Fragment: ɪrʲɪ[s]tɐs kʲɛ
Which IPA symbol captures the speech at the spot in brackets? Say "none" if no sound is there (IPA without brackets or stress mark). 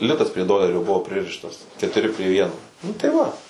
ʃ